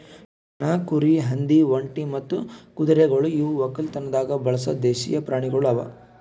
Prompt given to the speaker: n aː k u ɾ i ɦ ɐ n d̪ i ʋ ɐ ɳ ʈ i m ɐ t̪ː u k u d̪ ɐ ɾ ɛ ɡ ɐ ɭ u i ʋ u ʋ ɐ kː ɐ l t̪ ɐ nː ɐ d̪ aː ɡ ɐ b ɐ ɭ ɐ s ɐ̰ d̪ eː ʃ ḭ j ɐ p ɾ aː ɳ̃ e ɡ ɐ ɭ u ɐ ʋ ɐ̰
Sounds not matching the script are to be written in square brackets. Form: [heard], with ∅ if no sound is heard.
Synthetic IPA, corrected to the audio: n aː k u ɾ i ɦ ɐ n d̪ i ʋ ɐ ɳ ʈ i m ɐ t̪ː u k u d̪ ɐ ɾ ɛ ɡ ɐ ɭ u i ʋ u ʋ ɐ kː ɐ l t̪ ɐ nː ɐ d̪ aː ɡ ɐ b ɐ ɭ ɐ s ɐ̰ d̪ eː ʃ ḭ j ɐ p ɾ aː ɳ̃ [i] ɡ ɐ ɭ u ɐ ʋ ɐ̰